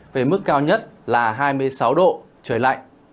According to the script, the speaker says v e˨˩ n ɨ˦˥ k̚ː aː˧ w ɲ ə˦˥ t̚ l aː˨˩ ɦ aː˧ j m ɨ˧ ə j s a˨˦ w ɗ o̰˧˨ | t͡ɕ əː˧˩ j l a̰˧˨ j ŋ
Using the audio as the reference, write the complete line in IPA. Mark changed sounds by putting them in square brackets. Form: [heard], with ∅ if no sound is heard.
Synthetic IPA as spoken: v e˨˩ [m] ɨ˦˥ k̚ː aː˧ w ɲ ə˦˥ t̚ l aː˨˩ ɦ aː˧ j m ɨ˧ ə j s a˨˦ w ɗ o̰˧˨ | t͡ɕ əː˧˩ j l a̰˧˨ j ŋ